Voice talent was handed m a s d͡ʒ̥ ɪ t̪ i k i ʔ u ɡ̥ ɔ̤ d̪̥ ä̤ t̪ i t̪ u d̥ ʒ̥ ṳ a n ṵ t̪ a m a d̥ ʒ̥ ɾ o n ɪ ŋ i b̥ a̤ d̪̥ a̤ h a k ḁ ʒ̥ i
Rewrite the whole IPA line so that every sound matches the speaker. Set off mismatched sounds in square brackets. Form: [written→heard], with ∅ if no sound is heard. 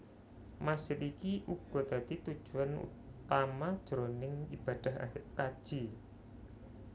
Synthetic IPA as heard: m a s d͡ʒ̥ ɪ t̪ i k i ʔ u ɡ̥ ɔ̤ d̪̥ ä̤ t̪ i t̪ u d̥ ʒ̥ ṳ a n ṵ t̪ a m a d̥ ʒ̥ ɾ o n ɪ ŋ i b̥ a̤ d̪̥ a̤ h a k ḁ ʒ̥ i